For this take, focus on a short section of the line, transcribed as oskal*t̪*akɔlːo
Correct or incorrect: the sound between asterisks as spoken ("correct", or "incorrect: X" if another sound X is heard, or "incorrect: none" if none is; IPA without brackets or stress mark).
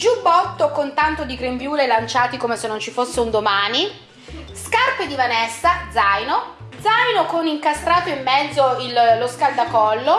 incorrect: d̪